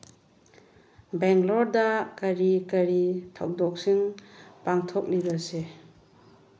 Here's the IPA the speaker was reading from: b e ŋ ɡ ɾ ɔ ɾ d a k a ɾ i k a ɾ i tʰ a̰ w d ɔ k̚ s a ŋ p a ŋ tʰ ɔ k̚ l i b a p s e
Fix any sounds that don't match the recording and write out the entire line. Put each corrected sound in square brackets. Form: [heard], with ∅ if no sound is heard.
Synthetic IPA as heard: b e ŋ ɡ [l] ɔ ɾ d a k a ɾ i k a ɾ i tʰ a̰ w d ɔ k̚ s [i] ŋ p a ŋ tʰ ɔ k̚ l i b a [∅] s e